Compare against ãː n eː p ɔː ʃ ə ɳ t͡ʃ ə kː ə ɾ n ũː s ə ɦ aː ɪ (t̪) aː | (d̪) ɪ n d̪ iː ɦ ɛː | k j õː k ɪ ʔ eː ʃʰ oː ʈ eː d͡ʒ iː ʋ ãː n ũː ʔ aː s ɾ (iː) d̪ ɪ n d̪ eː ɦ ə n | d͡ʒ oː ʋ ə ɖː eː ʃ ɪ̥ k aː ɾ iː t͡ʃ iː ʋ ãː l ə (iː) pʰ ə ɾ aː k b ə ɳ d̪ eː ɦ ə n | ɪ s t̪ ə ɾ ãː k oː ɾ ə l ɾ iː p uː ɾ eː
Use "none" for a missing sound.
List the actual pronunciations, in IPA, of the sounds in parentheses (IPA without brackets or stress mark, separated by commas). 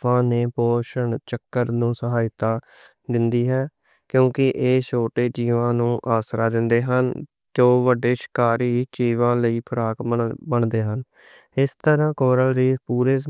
t̪, d̪, aː, iː